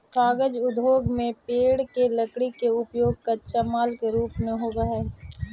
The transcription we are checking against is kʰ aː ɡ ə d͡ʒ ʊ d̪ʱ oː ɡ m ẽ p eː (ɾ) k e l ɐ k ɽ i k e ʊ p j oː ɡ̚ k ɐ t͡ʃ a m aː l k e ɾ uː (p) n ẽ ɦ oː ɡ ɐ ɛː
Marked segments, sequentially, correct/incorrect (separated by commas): incorrect, correct